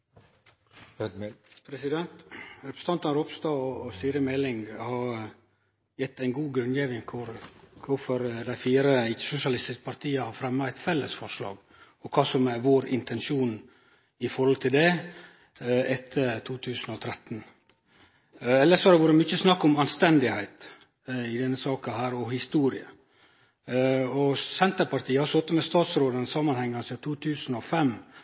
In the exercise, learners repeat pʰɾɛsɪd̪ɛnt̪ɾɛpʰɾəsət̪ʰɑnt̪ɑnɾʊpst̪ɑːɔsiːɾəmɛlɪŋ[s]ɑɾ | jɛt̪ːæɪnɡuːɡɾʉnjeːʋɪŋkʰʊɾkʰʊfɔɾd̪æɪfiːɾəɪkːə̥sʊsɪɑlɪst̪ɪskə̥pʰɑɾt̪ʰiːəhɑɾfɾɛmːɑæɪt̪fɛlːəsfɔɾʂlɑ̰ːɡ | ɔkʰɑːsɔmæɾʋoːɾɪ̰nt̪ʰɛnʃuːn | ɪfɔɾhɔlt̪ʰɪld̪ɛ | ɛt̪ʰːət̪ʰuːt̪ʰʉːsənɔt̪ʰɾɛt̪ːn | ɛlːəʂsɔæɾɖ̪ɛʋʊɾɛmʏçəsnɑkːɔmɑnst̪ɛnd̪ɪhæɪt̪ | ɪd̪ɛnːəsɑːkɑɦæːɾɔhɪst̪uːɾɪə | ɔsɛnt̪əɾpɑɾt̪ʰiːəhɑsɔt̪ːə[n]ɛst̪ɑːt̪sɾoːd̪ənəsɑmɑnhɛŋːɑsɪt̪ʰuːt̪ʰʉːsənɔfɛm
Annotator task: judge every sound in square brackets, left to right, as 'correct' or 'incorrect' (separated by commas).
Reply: incorrect, incorrect